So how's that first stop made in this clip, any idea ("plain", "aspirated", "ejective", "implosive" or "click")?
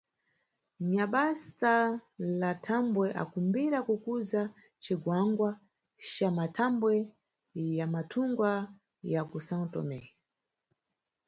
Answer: implosive